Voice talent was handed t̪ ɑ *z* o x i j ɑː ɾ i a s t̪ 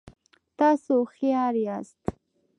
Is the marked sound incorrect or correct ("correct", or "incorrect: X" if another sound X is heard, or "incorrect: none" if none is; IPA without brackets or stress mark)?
incorrect: s